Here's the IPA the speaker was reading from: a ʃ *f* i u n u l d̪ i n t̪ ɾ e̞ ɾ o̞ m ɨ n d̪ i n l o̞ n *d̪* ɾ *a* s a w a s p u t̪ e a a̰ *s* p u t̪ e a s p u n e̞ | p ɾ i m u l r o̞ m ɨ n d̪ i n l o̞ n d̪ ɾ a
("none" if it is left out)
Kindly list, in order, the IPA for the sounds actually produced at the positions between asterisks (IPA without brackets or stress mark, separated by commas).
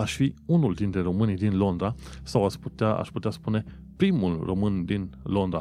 f, d̪, a, ʃ